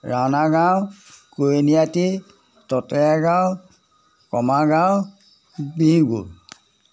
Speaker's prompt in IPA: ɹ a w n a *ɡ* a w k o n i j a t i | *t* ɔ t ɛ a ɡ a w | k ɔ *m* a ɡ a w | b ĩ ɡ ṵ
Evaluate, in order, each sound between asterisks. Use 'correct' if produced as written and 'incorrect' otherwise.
correct, correct, correct

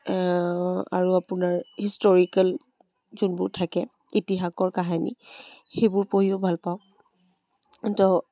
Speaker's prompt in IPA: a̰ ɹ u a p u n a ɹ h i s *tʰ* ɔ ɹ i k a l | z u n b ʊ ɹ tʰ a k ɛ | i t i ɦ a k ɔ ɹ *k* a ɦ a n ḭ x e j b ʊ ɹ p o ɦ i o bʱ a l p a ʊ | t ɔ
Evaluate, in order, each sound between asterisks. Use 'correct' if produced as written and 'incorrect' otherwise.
incorrect: t, correct

